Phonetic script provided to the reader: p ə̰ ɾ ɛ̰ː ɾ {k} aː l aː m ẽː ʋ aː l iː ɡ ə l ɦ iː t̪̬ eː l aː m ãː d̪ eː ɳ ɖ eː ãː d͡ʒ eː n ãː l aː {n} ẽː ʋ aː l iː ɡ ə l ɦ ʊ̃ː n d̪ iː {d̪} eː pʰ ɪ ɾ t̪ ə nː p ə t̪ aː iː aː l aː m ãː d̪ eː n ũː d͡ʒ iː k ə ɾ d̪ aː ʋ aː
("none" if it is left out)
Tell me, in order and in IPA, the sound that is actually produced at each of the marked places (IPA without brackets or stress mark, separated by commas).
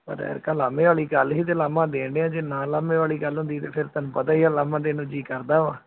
k, m, t̪